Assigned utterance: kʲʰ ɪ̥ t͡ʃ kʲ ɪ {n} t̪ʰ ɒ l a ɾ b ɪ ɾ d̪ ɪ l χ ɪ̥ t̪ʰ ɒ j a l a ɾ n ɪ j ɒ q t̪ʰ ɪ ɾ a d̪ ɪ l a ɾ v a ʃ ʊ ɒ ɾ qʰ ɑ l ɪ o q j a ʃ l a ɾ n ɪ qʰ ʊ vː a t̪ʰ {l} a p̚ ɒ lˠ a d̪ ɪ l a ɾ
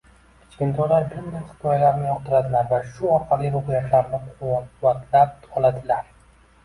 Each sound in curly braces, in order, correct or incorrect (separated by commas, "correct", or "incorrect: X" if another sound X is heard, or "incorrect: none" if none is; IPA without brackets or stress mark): correct, correct